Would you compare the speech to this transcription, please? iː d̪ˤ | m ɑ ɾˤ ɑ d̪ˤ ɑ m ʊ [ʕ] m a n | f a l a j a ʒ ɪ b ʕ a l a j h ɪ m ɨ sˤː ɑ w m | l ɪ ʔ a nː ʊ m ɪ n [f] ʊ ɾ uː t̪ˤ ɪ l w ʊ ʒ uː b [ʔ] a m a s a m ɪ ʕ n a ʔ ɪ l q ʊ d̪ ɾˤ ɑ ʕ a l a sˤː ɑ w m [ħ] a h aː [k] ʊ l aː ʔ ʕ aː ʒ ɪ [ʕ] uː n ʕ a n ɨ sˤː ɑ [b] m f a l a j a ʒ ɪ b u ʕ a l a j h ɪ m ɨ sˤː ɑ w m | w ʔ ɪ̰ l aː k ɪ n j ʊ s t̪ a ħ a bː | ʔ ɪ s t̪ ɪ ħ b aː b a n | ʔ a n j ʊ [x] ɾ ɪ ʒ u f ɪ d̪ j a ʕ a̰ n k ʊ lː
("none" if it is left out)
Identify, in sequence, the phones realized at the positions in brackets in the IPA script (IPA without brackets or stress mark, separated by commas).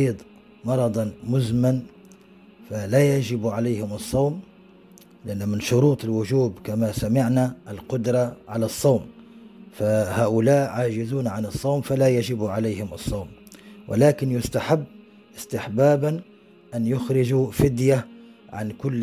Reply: z, ʃ, k, f, ʔ, z, w, x